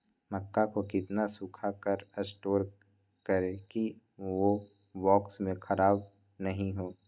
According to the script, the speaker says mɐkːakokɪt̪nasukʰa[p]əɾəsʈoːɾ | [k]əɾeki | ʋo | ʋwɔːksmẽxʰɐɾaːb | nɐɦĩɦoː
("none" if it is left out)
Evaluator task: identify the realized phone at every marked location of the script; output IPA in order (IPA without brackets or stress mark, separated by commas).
k, k